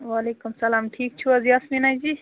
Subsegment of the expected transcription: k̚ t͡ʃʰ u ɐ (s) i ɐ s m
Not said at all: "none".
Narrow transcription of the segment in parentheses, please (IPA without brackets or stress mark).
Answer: z